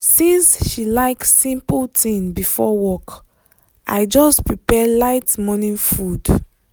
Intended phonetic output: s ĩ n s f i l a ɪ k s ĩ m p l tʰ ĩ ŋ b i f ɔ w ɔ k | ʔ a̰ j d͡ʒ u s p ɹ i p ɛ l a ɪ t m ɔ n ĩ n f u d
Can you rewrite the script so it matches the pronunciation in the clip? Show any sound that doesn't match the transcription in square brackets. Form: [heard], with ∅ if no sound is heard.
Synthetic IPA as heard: s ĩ n s [ʃ] i l a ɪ k s ĩ m p l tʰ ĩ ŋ b i f ɔ w ɔ k | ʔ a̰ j d͡ʒ [ɔ] s p ɹ i p ɛ l a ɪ t m ɔ n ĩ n f u d